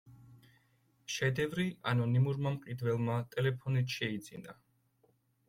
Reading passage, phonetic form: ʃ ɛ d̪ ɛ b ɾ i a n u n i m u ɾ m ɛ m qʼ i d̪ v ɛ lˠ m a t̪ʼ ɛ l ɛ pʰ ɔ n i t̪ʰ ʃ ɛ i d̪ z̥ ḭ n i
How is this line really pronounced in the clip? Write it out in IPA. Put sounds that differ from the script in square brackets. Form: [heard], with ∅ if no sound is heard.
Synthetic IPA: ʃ ɛ d̪ ɛ [v] ɾ i a n [ɔ] n i m u ɾ m [a] m qʼ i d̪ v ɛ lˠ m a t̪ʼ ɛ l ɛ pʰ ɔ n i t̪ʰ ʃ ɛ i d̪ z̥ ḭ n [a]